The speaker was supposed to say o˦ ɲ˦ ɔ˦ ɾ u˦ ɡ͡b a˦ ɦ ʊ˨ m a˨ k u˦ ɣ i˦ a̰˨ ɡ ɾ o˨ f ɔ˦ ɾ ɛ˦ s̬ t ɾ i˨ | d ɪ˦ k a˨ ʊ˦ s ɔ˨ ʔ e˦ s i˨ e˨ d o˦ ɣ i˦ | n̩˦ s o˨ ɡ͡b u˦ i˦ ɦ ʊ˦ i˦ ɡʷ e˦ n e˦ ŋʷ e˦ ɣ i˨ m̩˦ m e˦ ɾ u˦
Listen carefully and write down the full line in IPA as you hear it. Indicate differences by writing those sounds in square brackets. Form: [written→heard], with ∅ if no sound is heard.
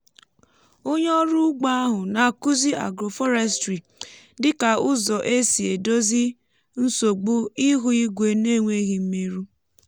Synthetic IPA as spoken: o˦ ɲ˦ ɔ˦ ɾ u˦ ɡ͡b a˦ ɦ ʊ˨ [m→n] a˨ k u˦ [ɣ→z] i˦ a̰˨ ɡ ɾ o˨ f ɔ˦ ɾ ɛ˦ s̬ t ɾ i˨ | d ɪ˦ k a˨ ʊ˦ [s→z] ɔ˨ ʔ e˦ s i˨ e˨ d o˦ [ɣ→z] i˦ | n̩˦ s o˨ ɡ͡b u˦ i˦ ɦ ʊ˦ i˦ ɡʷ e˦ n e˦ ŋʷ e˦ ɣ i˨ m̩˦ m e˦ ɾ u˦